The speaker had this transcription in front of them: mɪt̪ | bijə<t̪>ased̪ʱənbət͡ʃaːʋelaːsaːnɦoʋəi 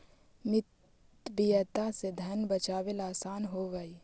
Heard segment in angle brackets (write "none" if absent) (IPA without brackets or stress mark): t̪